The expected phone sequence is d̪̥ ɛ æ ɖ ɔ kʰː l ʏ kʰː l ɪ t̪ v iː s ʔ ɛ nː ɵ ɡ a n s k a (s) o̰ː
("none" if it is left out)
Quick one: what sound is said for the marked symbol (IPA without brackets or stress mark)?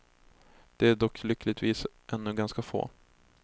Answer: f